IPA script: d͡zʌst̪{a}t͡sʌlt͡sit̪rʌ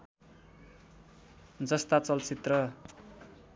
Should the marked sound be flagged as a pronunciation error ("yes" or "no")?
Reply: no